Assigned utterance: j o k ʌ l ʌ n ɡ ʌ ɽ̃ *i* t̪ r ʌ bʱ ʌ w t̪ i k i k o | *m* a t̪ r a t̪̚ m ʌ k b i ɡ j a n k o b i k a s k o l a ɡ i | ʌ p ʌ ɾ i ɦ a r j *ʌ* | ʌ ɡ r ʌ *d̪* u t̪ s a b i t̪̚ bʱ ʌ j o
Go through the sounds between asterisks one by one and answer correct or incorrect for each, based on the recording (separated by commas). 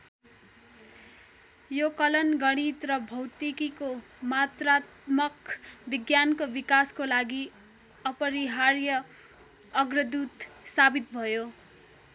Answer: correct, correct, correct, correct